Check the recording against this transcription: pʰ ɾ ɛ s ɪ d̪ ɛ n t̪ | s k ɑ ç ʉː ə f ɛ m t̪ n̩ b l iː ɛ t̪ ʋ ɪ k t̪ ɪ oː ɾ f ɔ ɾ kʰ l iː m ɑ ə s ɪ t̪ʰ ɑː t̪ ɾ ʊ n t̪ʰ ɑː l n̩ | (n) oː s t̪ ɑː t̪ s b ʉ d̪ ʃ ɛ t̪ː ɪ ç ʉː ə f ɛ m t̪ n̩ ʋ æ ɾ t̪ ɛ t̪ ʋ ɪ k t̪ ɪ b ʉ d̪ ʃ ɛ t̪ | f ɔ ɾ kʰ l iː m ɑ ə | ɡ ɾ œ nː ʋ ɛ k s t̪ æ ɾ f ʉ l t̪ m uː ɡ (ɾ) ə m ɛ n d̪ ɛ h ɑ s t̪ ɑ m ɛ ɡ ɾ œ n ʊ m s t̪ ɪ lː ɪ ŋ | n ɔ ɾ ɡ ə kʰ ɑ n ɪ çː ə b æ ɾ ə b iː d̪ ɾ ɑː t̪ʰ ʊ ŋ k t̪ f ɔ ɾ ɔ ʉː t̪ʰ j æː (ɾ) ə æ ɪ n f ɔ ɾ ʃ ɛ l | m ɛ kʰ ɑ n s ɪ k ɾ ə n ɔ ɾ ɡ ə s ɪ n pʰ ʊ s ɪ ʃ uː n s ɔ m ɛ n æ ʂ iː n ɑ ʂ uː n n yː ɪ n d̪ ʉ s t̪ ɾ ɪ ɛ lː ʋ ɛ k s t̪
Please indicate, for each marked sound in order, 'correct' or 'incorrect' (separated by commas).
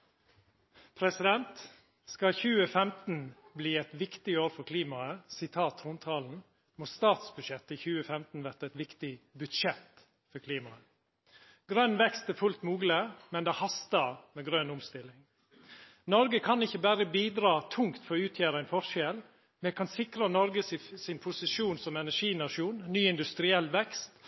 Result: incorrect, incorrect, correct